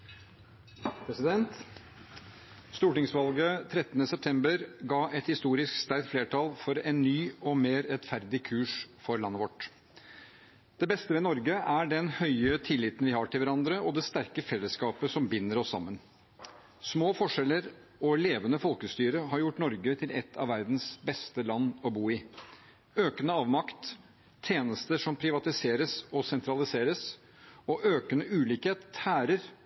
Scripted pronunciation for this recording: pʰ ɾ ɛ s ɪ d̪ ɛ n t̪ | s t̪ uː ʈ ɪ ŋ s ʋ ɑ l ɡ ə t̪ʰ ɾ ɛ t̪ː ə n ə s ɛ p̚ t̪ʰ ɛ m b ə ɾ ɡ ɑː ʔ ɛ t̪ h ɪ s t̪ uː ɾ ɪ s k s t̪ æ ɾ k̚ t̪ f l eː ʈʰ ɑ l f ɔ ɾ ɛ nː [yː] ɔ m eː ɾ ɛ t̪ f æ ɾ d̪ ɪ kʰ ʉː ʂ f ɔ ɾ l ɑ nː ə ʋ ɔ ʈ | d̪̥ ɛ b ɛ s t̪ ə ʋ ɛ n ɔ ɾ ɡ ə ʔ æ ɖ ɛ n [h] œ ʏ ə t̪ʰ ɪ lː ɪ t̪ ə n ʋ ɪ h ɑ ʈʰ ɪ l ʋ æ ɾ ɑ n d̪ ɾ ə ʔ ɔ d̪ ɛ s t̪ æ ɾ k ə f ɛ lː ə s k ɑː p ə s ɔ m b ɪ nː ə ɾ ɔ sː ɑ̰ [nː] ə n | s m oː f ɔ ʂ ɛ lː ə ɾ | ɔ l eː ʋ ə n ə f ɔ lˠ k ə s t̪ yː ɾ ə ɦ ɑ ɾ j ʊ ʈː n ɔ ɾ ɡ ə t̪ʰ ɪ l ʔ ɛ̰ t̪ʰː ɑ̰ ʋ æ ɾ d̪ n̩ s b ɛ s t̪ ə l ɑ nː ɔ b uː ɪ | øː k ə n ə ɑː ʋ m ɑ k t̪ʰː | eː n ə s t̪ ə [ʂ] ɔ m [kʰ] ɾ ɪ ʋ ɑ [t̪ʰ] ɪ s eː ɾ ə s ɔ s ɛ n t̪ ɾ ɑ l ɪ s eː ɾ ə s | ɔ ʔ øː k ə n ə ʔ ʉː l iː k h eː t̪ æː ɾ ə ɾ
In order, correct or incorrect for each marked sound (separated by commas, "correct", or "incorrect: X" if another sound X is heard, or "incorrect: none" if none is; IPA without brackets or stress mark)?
correct, correct, incorrect: mː, correct, incorrect: pʰ, incorrect: t̪